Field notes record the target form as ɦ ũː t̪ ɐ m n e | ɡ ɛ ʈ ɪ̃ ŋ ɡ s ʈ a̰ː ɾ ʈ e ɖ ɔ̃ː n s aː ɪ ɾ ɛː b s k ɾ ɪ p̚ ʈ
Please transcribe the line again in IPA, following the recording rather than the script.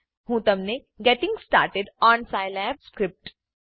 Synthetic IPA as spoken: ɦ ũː t̪ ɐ m n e | ɡ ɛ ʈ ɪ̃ ŋ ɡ s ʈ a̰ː ɾ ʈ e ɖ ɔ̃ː n s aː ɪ l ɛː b s k ɾ ɪ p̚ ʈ